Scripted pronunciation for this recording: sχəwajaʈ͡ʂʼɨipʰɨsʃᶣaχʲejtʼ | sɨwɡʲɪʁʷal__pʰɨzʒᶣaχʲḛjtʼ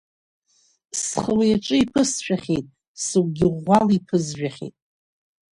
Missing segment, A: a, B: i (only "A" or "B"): B